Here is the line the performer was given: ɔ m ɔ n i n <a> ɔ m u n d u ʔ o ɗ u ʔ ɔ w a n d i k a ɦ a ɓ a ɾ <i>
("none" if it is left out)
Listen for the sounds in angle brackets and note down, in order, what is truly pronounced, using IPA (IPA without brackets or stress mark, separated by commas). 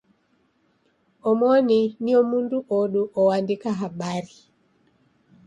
i, i